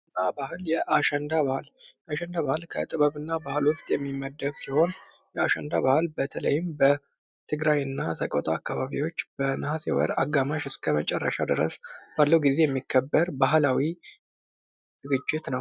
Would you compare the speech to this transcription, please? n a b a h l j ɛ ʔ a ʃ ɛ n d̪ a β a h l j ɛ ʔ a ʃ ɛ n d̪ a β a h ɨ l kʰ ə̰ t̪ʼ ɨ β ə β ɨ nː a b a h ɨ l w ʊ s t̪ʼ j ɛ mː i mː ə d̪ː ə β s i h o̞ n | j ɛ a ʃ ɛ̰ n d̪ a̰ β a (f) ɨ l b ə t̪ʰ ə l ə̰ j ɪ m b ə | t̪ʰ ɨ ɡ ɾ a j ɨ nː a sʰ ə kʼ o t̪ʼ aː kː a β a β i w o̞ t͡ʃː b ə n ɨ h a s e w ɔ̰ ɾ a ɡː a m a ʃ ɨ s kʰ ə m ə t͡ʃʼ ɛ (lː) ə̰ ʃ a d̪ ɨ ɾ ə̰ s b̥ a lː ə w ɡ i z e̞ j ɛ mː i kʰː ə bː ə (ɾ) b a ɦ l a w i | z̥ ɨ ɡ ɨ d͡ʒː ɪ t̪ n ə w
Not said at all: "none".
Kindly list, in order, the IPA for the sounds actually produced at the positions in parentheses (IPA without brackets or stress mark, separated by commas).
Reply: h, rː, ɾ